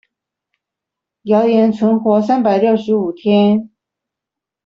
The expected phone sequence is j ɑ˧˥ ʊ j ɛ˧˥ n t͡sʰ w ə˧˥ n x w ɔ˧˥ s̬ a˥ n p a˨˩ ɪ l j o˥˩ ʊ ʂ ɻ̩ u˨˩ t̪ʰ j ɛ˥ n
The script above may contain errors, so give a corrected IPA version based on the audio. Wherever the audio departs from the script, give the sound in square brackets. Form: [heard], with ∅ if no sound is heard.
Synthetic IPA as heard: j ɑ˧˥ ʊ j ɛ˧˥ n t͡sʰ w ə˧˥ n x w ɔ˧˥ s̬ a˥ n p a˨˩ ɪ l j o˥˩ ʊ ʂ ɻ̩ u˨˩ t̪ʰ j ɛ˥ n